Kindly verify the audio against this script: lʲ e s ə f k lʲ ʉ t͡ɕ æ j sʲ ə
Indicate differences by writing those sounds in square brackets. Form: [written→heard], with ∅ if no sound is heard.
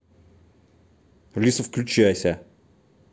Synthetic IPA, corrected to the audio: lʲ [e→i] s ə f k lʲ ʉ t͡ɕ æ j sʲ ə